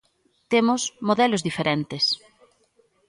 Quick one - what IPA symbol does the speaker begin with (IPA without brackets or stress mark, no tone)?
t̪